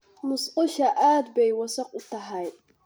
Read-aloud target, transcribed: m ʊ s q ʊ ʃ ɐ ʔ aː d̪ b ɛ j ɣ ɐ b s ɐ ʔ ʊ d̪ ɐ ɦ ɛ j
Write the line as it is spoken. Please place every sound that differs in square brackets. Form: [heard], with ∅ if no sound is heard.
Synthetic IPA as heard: m ʊ s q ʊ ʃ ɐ ʔ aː d̪ b ɛ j [w] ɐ [∅] s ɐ [q] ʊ [t̪] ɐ ɦ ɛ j